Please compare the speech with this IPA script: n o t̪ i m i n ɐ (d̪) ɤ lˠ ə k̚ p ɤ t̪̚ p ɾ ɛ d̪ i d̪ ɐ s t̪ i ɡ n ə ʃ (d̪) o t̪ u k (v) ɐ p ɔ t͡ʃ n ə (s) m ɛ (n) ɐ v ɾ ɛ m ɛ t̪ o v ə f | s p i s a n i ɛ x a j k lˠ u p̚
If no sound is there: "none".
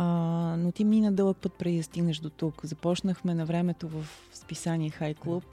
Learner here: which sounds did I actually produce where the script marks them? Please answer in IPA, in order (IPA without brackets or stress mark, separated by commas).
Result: d̪, d̪, z, x, n